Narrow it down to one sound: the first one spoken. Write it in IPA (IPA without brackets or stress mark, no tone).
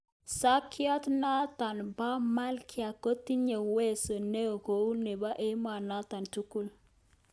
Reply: s